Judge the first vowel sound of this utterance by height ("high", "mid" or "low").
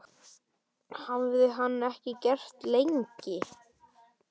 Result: low